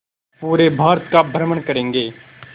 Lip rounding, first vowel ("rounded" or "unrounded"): rounded